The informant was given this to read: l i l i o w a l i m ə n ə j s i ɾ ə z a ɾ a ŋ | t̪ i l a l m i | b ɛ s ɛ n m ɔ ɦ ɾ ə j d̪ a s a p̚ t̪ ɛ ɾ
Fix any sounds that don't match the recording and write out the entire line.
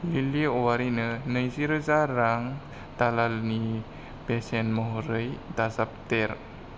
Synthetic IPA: l i l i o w a ɾ i n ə n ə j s i ɾ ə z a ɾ a ŋ | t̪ a l a l n i | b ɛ s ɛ n m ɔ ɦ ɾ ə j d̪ a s a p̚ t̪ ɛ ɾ